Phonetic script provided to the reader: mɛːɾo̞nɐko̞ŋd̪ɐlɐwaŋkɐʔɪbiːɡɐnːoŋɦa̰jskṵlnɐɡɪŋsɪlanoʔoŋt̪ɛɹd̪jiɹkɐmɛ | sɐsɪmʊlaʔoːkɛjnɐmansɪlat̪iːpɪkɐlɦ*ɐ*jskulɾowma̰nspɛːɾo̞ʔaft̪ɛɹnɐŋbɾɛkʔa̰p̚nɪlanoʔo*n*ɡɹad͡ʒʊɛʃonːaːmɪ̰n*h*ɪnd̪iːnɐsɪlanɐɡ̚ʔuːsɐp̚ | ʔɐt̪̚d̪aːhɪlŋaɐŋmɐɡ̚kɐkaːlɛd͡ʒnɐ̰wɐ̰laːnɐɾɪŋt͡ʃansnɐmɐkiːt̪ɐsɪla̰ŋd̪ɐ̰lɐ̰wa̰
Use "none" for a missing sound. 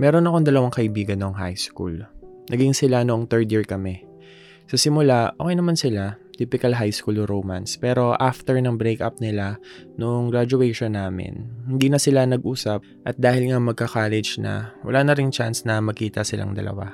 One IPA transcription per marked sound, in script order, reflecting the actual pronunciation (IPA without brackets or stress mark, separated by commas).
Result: a, ŋ, h